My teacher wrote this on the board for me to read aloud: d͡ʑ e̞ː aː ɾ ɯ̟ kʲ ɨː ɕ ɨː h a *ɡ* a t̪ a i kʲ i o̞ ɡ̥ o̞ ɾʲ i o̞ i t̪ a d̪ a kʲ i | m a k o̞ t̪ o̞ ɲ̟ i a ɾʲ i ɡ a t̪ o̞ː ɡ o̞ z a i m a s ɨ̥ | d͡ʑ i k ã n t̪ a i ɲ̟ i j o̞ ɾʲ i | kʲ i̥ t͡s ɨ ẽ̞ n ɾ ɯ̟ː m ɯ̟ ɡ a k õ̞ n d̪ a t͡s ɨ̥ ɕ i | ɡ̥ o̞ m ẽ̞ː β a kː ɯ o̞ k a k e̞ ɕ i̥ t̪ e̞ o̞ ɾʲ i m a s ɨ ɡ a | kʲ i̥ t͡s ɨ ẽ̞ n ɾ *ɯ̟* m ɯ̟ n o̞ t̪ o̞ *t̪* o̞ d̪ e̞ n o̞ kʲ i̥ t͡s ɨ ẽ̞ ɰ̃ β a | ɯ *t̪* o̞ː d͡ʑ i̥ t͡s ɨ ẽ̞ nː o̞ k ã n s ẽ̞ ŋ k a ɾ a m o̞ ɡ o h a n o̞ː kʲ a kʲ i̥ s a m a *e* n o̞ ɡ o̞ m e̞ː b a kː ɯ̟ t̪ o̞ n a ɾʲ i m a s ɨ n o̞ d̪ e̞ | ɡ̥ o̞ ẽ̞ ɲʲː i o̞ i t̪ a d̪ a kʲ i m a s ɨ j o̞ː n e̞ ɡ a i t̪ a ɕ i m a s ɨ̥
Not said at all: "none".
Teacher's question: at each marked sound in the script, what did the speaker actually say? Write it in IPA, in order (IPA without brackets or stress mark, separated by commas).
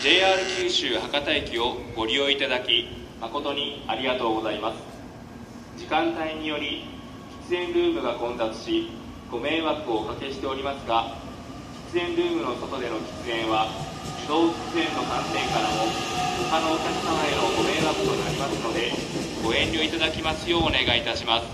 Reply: k, ɯ̟ː, t̪, d̪, e